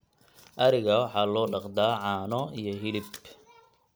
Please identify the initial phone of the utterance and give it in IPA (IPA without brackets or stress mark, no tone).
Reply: ʔ